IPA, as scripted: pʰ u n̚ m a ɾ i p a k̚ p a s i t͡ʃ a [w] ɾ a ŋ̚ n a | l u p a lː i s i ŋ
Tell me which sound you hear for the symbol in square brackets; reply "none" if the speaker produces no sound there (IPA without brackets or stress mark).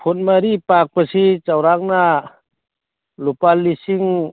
w